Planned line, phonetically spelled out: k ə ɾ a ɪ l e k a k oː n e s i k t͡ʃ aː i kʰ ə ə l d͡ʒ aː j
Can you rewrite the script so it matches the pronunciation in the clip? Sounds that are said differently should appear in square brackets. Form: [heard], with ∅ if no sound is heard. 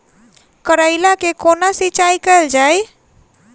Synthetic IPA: k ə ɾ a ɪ l [a] k [e] k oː n [a] s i [∅] t͡ʃ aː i [k] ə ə l d͡ʒ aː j

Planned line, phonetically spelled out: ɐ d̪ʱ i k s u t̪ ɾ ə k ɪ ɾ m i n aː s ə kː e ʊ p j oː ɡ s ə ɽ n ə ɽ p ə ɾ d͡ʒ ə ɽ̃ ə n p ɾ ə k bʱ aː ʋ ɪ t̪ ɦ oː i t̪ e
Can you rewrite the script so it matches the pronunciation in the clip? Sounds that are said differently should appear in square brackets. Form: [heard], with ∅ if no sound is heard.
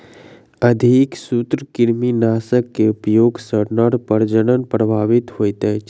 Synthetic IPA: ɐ d̪ʱ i k s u t̪ ɾ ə k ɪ ɾ m i n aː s ə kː e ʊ p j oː ɡ s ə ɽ n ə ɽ p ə ɾ d͡ʒ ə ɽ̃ ə n p ɾ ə [∅] bʱ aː ʋ ɪ t̪ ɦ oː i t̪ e

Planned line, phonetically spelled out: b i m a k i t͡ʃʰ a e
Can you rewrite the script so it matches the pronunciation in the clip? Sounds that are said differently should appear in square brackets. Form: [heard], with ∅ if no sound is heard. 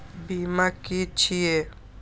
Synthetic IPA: b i m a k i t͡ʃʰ [i] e

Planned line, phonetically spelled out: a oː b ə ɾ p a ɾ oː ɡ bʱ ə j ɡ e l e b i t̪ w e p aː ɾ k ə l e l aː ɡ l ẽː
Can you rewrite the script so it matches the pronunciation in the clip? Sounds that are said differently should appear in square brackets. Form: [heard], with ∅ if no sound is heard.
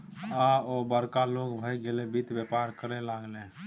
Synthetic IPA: a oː b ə ɾ [k] a [l] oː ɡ bʱ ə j ɡ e l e b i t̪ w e p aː ɾ k ə [ɾ] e l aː ɡ l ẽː

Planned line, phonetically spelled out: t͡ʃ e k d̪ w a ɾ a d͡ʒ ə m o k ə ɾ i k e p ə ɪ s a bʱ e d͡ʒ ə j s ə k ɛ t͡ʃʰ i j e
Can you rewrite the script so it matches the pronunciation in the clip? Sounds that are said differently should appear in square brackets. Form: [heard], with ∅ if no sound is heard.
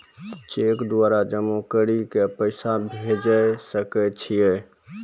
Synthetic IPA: t͡ʃ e k d̪ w a ɾ a d͡ʒ ə m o k ə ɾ i k e p ə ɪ s a bʱ e d͡ʒ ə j s ə k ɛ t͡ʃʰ i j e

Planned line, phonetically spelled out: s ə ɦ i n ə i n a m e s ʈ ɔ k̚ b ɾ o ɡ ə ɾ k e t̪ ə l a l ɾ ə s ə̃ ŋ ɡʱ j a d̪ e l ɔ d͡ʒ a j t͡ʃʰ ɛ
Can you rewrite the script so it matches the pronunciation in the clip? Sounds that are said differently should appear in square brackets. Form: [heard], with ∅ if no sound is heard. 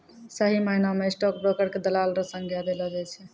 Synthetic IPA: s ə ɦ i [m] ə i n a m e s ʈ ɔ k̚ b ɾ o [k] ə ɾ k e [d̪] ə l a l ɾ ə s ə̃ ŋ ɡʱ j a d̪ e l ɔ d͡ʒ a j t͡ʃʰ ɛ

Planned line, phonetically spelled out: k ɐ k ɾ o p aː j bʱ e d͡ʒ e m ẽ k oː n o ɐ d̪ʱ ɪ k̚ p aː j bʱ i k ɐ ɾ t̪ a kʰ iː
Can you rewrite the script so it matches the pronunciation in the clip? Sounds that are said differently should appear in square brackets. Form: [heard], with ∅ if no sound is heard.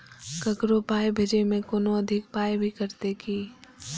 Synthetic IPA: k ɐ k ɾ o p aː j bʱ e d͡ʒ e m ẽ k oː n o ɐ d̪ʱ ɪ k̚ p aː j bʱ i k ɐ ɾ t̪ [e] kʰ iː

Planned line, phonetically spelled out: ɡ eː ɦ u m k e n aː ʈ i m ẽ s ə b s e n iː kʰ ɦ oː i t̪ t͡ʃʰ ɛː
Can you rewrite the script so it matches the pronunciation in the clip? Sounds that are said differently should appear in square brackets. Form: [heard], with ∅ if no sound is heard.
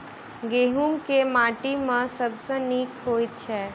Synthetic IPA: ɡ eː ɦ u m k e [m] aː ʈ i m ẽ s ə b s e n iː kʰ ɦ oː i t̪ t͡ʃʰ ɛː

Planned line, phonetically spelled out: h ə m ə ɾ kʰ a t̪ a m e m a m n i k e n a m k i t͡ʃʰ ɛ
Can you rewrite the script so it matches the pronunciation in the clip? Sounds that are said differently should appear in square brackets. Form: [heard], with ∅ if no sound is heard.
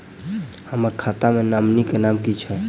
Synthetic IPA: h ə m ə ɾ kʰ a t̪ a m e [n] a m n i k e n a m k i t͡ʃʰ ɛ

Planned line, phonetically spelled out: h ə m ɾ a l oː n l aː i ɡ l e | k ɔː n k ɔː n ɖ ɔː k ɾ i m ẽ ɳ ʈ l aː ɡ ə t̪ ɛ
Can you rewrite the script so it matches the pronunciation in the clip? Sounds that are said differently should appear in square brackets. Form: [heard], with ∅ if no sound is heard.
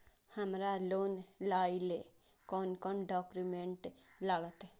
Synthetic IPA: h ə m ɾ a l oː n l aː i [∅] l e | k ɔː n k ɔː n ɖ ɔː k ɾ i m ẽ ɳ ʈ l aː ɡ ə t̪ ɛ

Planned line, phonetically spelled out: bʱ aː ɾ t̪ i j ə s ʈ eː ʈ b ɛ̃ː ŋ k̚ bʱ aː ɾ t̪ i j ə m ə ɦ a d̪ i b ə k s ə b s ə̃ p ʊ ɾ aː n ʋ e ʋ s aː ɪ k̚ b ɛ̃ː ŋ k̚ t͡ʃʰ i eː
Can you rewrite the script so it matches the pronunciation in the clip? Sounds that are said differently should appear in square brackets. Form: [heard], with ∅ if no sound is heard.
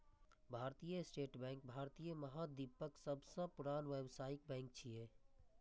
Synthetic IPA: bʱ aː ɾ t̪ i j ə s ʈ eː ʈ b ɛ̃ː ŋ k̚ bʱ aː ɾ t̪ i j ə m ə ɦ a d̪ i [p] ə k s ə b s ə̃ p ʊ ɾ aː n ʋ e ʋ s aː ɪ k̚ b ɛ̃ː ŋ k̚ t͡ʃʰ i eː

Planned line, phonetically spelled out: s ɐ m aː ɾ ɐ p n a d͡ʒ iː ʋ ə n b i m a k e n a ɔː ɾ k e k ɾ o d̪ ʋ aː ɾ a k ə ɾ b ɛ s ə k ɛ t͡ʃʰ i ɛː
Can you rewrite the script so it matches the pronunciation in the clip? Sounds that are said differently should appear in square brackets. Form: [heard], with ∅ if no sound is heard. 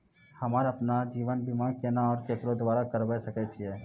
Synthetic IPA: [h] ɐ m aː ɾ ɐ p n a d͡ʒ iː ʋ ə n b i m a k e n a ɔː ɾ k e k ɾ o d̪ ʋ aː ɾ a k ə ɾ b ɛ s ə k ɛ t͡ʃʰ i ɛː

